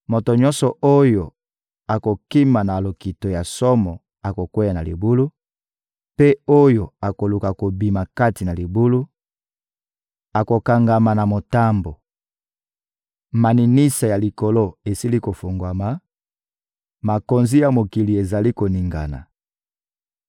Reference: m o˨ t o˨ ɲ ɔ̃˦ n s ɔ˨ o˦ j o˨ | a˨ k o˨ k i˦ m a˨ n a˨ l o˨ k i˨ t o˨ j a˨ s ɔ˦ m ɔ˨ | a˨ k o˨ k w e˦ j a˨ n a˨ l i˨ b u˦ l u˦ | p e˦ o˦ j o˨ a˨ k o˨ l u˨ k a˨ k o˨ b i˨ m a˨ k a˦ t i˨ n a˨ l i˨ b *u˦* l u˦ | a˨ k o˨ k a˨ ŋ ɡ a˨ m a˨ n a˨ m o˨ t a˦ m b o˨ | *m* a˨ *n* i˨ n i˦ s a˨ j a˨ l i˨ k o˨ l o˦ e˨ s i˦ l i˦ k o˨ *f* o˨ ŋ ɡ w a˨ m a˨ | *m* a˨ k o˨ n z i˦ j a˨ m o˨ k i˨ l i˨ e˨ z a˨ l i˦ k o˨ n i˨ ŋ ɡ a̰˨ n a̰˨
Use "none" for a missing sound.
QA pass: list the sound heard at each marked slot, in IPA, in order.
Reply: u˦, m, n, f, m

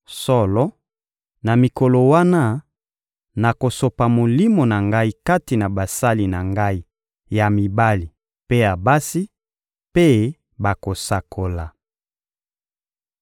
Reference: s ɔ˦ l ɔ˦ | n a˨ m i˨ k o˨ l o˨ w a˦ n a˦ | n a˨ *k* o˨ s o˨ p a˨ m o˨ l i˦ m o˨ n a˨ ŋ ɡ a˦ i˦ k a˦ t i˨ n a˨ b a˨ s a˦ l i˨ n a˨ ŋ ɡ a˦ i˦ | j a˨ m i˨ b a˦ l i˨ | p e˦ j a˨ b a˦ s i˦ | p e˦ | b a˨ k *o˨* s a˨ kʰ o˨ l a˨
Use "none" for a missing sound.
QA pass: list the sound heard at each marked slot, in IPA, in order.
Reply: k, o˨

